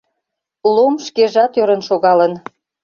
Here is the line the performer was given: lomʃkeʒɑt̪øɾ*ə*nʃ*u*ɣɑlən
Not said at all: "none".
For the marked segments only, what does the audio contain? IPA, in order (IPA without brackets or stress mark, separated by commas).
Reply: ə, o